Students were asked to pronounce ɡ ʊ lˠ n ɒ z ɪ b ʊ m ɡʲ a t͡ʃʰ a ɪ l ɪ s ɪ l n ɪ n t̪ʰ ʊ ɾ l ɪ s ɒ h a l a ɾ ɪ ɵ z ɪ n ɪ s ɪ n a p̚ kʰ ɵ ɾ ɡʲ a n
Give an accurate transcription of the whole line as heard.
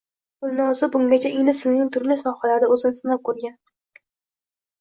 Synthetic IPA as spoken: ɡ ʊ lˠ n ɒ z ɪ b ʊ ŋ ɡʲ a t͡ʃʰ a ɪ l ɪ s ɪ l n ɪ ŋ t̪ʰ ʊ ɾ l ɪ s ɒ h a l a ɾ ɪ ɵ z ɪ n ɪ s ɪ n a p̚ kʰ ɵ ɾ ɡʲ a n